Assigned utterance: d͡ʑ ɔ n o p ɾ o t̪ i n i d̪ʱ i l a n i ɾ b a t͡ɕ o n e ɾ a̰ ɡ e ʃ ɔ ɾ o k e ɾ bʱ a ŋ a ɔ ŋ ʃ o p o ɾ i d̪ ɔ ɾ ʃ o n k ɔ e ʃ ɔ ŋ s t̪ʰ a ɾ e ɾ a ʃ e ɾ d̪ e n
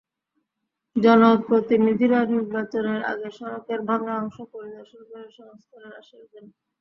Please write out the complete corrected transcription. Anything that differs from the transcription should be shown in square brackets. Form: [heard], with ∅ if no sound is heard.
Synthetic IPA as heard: d͡ʑ ɔ n o p ɾ o t̪ i n i d̪ʱ i [ɾ] a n i ɾ b a t͡ɕ o n e ɾ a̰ ɡ e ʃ ɔ ɾ o k e ɾ bʱ a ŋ a ɔ ŋ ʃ o p o ɾ i d̪ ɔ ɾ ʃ o n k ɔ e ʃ ɔ ŋ s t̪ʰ a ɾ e ɾ a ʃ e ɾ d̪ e n